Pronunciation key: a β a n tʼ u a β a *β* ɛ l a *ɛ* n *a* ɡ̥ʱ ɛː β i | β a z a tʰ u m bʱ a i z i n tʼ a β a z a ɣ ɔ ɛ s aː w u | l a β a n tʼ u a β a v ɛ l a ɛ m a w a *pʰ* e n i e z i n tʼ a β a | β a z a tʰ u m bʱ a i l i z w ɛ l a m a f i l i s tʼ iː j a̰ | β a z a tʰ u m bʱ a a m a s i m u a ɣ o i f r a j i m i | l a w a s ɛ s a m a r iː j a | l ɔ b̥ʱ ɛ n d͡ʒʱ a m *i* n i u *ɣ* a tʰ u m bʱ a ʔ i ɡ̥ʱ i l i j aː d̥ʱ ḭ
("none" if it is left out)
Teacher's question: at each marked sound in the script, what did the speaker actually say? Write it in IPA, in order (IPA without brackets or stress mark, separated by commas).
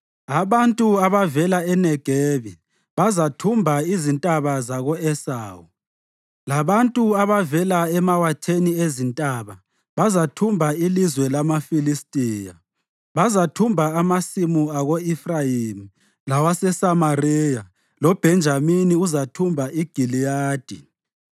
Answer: v, ɛ, ɛ, tʰ, i, z